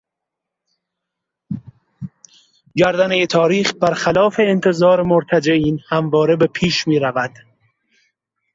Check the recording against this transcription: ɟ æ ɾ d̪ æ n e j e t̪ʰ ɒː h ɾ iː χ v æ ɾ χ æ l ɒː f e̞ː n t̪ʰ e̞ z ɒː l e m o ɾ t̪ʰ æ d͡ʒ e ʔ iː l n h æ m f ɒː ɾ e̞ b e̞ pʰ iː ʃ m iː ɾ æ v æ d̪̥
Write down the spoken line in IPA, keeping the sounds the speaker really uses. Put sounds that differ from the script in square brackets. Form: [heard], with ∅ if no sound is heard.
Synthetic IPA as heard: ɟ æ ɾ d̪ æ n e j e t̪ʰ ɒː [∅] ɾ iː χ [b] æ ɾ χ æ l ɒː f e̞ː n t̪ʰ e̞ z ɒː [ɾ] e m o ɾ t̪ʰ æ d͡ʒ e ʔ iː [∅] n h æ m [v] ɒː ɾ e̞ b e̞ pʰ iː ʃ m iː ɾ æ v æ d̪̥

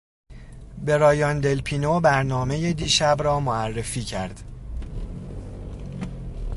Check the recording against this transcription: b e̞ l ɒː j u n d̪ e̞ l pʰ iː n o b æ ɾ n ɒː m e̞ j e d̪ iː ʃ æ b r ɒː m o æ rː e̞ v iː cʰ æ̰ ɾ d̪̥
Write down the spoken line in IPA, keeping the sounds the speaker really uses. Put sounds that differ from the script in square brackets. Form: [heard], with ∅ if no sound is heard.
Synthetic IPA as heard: b e̞ [ɾ] ɒː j [ɒ] n d̪ e̞ l pʰ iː n o b æ ɾ n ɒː m e̞ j e d̪ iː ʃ æ b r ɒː m o æ rː e̞ [f] iː cʰ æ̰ ɾ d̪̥

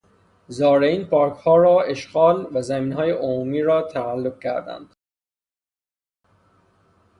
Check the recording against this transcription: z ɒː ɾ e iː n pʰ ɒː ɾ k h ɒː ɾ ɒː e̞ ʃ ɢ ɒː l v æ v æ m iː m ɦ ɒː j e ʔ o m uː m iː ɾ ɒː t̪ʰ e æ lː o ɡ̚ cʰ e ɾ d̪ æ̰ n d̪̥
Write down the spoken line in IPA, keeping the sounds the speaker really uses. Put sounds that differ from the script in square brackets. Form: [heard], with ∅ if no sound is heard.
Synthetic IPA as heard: z ɒː ɾ e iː n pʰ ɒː ɾ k h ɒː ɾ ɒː e̞ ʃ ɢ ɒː l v æ [z] æ m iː [n] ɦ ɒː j e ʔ o m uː m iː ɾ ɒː t̪ʰ [æ] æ lː o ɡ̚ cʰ [æ] ɾ d̪ æ̰ n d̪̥

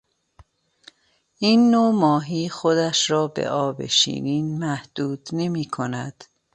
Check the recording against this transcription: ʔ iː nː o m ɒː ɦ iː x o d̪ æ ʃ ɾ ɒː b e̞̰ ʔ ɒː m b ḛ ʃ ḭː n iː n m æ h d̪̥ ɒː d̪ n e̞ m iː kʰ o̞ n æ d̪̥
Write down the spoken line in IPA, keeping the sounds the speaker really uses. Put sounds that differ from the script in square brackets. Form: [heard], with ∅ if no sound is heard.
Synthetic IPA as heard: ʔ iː nː o m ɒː ɦ iː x o d̪ æ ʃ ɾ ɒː b e̞̰ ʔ ɒː [∅] b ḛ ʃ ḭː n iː n m æ h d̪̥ [uː] d̪ n e̞ m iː kʰ o̞ n æ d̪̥

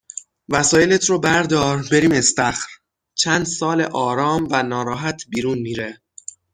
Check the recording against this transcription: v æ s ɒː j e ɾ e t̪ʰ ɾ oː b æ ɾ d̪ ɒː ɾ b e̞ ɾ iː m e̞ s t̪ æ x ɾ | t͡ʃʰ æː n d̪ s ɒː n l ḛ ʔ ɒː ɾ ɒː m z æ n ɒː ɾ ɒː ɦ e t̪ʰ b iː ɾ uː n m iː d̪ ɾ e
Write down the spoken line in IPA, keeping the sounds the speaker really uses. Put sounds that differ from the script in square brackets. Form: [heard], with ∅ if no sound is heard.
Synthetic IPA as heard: v æ s ɒː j e [l] e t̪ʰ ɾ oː b æ ɾ d̪ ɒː ɾ b e̞ ɾ iː m e̞ s t̪ æ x ɾ | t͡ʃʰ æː n d̪ s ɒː [∅] l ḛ ʔ ɒː ɾ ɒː m [v] æ n ɒː ɾ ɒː ɦ [æ] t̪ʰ b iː ɾ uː n m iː [∅] ɾ e

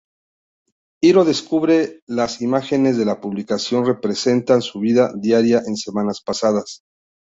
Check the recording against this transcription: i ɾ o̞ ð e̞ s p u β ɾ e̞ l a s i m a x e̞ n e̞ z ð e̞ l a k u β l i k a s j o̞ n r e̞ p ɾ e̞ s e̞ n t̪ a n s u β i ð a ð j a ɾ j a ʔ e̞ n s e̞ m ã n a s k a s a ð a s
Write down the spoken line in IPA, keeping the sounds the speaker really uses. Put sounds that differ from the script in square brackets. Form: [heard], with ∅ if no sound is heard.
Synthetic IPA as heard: i ɾ o̞ ð e̞ s [k] u β ɾ e̞ l a s i m a x e̞ n e̞ z ð e̞ l a [p] u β l i k a s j o̞ n r e̞ p ɾ e̞ s e̞ n t̪ a n s u β i ð a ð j a ɾ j a ʔ e̞ n s e̞ m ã n a s [p] a s a ð a s

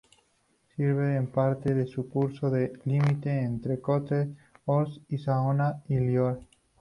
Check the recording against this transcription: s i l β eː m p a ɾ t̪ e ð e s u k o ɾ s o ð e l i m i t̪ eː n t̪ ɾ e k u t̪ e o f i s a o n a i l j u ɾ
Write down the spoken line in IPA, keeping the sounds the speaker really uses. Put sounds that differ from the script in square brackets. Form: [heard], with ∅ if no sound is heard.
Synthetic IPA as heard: s i [ɾ] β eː m p a ɾ t̪ e ð e s u k [u] ɾ s o ð e l i m i t̪ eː n t̪ ɾ e k [o] t̪ e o [s] i s a o n a i l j [o] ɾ

